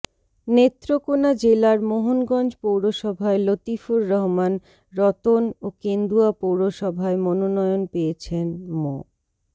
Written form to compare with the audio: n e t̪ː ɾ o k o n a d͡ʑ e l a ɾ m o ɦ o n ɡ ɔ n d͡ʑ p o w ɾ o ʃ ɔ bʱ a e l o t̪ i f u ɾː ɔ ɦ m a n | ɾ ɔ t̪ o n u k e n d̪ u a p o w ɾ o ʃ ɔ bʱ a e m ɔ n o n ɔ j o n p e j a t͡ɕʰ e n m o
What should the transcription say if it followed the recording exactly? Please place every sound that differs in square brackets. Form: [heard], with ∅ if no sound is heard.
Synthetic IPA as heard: n e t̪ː ɾ o k o n a d͡ʑ e l a ɾ m o ɦ o n ɡ ɔ n d͡ʑ p o w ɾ o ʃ ɔ bʱ a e l o t̪ i f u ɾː ɔ ɦ m a n | ɾ ɔ t̪ o n [o] k e n d̪ u a p o w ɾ o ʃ ɔ bʱ a e m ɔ n o n ɔ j o n p e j [e] t͡ɕʰ e n m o